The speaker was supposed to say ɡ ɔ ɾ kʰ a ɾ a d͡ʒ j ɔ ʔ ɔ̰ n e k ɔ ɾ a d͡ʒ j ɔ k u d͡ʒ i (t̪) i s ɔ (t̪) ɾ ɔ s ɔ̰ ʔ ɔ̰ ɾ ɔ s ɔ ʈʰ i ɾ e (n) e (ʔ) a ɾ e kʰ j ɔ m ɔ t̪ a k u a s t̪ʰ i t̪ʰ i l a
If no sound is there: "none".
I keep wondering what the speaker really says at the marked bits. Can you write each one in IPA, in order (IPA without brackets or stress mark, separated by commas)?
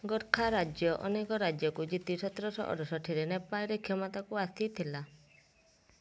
t̪, t̪, n, p